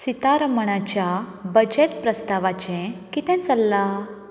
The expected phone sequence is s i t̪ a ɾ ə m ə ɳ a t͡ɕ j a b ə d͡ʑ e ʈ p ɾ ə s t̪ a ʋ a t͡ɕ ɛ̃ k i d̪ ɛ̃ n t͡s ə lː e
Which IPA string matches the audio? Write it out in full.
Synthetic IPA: s i t̪ a ɾ ə m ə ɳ a t͡ɕ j a b ə d͡ʑ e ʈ p ɾ ə s t̪ a ʋ a t͡ɕ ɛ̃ k i t̪ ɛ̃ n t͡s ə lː a